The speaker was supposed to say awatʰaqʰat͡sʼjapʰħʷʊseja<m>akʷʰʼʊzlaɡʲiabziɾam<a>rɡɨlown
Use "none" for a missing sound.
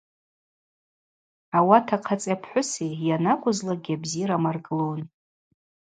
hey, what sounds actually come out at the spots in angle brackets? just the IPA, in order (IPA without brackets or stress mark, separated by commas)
n, a